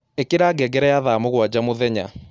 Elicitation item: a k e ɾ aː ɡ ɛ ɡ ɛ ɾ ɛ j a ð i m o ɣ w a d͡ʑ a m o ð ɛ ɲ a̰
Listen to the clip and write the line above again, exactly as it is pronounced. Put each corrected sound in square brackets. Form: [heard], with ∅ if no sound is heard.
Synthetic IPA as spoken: [e] k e ɾ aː ɡ ɛ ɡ ɛ ɾ ɛ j a ð [a] m o ɣ w a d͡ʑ a m o ð ɛ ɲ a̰